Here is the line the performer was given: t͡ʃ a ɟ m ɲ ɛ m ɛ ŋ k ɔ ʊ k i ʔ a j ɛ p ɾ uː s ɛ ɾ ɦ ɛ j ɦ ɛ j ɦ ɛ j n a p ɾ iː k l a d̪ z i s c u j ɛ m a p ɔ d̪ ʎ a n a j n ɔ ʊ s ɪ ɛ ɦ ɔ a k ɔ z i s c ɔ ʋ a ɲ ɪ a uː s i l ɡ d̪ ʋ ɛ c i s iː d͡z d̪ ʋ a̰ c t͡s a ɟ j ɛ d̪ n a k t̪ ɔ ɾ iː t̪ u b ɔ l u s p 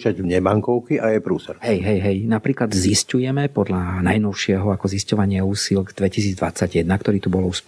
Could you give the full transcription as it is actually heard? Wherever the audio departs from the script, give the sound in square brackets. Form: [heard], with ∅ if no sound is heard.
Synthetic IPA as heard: t͡ʃ a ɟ m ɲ ɛ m [a] ŋ k ɔ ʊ k i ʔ a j ɛ p ɾ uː s ɛ ɾ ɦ ɛ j ɦ ɛ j ɦ ɛ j n a p ɾ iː k l a d̪ z i s c u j ɛ m [ɛ] p ɔ d̪ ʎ a n a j n ɔ ʊ [ʃ] ɪ ɛ ɦ ɔ a k ɔ z i s c ɔ ʋ a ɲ ɪ a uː s i l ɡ d̪ ʋ ɛ c i s iː d͡z d̪ ʋ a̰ [∅] t͡s a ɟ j ɛ d̪ n a k t̪ ɔ ɾ iː t̪ u b ɔ l u s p